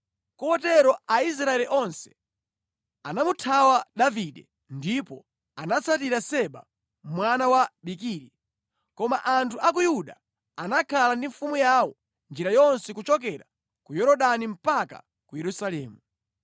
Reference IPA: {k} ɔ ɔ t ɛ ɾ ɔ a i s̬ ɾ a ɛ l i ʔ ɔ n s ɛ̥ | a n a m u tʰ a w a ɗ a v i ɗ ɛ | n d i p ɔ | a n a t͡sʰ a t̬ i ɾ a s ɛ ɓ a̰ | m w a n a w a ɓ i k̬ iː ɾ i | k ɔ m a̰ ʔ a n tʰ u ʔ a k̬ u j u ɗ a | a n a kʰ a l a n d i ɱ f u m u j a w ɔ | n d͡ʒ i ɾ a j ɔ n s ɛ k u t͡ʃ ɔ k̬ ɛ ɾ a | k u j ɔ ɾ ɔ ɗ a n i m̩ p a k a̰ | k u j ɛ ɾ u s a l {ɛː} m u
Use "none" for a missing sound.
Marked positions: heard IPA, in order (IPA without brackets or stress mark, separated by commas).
k, ɛː